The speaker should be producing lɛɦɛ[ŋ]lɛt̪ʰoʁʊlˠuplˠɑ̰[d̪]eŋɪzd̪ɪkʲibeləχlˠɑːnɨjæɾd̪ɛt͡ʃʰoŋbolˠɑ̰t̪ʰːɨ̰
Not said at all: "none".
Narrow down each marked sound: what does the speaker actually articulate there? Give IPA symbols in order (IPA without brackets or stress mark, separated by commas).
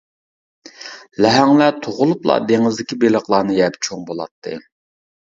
ŋ, d̪